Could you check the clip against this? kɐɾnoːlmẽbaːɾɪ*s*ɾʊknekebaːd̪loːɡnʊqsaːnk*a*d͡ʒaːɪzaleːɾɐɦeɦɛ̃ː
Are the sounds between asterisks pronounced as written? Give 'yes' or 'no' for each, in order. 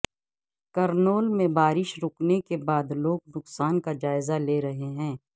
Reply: no, yes

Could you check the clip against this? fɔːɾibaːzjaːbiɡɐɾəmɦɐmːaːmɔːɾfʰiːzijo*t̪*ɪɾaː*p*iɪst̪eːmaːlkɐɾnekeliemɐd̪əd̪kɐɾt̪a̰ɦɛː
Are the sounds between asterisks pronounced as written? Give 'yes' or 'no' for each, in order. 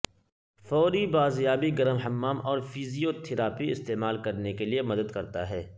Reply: no, yes

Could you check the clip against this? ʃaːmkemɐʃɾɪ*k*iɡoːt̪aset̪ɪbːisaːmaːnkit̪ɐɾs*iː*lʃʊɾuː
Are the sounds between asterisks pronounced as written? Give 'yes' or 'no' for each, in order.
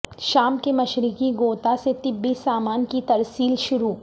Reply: yes, yes

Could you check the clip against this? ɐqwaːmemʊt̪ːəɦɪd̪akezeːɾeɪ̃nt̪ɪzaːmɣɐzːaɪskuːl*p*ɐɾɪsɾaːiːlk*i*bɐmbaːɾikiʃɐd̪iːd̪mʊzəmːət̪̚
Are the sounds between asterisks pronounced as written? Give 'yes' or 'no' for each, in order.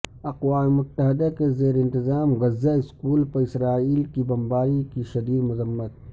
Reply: yes, yes

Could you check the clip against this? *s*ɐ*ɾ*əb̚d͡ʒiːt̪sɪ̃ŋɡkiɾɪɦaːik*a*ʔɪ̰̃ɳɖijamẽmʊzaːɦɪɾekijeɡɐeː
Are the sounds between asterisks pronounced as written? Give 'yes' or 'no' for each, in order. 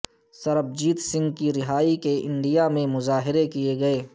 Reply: yes, yes, no

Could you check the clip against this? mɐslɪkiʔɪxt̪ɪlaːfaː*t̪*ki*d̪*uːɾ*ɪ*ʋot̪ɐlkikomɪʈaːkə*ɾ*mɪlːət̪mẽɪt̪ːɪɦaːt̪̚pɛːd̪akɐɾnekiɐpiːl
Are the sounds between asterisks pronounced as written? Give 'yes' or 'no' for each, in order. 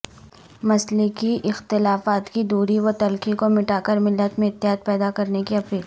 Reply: yes, yes, no, yes

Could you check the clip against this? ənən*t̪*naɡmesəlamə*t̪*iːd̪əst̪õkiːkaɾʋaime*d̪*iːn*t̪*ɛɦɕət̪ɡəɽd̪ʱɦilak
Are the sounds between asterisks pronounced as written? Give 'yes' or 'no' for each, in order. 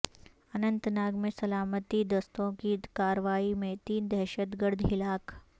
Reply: yes, yes, no, no

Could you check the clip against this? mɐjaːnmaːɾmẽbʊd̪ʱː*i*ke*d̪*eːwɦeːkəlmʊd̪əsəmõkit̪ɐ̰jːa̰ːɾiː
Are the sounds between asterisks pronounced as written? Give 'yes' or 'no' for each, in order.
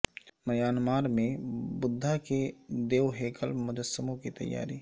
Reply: no, yes

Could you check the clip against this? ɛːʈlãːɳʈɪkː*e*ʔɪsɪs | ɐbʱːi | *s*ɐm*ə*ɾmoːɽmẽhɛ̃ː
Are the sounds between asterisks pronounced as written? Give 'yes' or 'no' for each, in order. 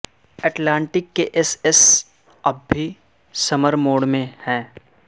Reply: yes, yes, yes

